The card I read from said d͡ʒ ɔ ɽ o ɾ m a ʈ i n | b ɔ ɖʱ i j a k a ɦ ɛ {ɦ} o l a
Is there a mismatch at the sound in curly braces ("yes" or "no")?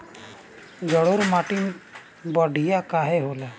no